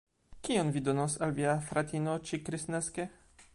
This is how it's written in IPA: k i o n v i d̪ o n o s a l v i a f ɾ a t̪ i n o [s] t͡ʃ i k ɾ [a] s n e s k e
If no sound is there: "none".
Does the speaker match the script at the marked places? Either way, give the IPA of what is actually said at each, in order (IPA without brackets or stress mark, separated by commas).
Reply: none, i